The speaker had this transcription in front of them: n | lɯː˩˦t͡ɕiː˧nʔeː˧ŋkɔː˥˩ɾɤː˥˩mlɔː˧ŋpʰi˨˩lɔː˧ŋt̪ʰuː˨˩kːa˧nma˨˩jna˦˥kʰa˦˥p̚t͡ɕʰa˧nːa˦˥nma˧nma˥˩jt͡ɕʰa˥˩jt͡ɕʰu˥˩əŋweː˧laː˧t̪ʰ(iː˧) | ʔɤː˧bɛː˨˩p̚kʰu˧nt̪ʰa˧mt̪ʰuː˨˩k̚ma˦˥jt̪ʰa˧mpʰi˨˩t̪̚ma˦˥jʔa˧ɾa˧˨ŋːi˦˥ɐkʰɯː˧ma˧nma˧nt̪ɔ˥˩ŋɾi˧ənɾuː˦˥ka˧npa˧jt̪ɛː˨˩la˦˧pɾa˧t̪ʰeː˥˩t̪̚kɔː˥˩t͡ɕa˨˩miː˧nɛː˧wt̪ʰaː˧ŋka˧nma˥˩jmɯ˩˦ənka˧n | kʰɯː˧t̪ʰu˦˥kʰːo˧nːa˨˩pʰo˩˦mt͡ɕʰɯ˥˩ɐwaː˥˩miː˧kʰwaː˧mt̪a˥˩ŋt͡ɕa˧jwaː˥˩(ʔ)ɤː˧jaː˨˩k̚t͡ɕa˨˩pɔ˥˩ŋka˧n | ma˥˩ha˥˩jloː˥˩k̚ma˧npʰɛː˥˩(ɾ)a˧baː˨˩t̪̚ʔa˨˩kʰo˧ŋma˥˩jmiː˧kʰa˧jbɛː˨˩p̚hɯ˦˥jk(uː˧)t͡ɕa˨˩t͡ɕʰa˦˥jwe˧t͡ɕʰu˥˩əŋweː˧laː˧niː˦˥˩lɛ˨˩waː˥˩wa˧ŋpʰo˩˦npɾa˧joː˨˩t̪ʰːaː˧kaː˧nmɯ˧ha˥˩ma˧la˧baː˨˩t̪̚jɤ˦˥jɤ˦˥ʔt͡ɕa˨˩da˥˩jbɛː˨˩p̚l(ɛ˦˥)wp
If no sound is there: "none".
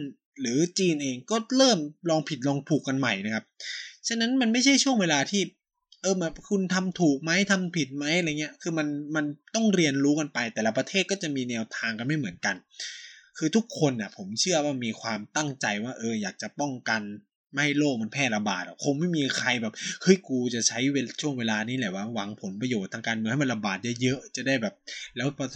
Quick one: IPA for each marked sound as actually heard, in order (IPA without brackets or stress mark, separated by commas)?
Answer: iː˥˩, ʔ, l, uː˧, ɛː˦˥